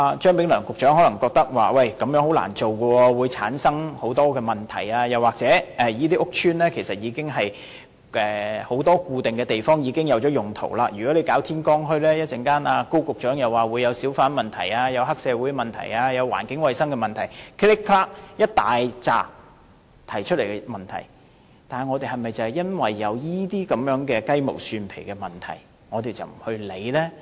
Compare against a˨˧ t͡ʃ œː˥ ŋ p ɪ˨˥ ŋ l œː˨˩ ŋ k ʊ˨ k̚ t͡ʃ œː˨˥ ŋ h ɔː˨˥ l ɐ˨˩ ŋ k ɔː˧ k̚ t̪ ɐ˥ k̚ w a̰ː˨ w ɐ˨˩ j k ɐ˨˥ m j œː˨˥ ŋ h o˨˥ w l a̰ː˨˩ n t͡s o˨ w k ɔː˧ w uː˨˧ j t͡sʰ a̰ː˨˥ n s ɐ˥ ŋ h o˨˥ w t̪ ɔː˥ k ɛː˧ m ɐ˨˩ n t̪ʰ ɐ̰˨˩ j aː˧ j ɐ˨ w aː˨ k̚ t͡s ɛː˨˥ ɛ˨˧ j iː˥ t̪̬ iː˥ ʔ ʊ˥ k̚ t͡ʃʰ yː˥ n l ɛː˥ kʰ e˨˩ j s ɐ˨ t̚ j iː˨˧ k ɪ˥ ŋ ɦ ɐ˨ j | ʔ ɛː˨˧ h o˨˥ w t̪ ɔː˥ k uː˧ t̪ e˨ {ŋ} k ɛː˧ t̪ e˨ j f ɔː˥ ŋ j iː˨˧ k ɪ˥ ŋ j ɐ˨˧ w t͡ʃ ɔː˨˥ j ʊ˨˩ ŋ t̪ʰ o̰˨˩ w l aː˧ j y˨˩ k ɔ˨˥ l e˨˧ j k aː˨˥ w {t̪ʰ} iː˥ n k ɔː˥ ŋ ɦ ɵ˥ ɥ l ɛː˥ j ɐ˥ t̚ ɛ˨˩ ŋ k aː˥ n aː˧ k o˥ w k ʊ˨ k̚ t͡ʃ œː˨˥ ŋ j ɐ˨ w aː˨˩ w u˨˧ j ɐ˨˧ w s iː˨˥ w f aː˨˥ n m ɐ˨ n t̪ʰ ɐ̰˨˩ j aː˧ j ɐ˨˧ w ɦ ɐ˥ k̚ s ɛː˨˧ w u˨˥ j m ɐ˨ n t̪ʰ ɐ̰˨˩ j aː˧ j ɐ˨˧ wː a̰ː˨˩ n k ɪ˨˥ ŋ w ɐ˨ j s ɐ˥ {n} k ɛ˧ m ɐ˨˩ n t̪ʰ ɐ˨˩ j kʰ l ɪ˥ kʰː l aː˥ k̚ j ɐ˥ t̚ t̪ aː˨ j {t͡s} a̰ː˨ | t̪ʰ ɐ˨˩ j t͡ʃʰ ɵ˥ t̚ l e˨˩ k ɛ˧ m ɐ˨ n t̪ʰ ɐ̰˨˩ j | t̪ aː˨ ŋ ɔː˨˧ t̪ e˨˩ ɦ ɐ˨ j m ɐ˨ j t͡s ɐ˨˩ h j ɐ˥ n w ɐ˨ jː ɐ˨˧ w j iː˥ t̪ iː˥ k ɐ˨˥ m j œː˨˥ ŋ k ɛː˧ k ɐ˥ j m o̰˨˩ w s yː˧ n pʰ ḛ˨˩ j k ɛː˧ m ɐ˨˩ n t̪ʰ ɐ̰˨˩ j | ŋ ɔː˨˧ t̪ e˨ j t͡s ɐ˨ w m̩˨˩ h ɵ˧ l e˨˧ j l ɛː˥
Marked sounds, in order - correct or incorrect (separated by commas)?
correct, correct, incorrect, correct